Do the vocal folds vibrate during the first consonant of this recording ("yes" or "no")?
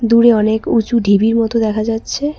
yes